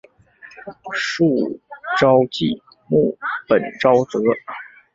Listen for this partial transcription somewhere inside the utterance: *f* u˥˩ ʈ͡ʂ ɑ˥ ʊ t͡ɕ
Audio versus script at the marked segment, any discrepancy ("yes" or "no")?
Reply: yes